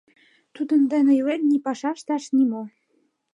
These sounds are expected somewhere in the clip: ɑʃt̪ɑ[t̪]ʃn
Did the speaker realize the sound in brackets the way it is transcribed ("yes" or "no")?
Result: no